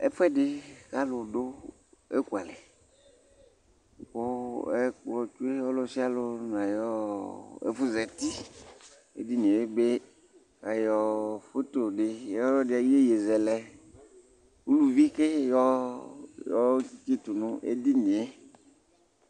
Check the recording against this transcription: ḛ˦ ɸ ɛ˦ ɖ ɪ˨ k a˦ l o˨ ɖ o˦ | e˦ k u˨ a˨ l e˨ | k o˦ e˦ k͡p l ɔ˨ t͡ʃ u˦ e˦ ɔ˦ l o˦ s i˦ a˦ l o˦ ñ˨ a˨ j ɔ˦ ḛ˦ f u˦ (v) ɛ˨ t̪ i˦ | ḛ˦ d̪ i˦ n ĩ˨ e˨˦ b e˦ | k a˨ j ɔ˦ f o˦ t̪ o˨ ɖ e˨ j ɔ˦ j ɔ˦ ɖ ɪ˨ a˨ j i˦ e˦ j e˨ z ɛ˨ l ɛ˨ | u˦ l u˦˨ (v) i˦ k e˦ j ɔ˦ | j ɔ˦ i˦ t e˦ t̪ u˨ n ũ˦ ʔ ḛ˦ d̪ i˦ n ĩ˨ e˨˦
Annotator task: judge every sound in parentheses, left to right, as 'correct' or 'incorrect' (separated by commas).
incorrect, correct